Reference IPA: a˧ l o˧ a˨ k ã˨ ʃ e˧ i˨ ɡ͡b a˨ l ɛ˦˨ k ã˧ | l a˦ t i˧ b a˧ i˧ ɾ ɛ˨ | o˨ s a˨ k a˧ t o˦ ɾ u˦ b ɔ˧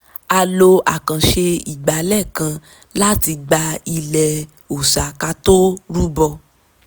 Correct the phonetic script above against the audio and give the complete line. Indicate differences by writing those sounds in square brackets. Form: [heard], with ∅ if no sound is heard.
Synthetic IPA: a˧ l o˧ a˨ k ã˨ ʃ e˧ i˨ ɡ͡b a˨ l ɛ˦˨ k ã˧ | l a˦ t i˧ [ɡ͡b] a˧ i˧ [l] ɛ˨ | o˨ s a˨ k a˧ t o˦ ɾ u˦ b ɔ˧